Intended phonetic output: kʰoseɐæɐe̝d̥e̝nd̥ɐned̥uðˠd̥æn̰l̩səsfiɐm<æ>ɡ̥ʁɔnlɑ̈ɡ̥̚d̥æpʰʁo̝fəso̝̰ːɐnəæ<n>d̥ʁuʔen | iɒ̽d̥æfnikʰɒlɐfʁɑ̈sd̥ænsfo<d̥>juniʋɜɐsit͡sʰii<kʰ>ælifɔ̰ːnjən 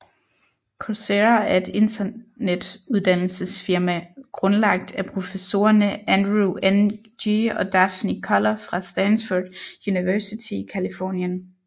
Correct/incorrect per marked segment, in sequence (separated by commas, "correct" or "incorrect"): correct, correct, correct, correct